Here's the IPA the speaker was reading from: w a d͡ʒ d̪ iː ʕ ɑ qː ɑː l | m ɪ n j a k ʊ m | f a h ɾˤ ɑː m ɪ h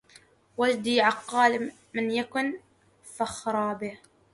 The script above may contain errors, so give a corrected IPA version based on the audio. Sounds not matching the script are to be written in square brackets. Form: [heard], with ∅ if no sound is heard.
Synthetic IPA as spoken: w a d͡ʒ d̪ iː ʕ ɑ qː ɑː l | m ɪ n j a k ʊ [n] | f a [x] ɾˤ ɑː [b] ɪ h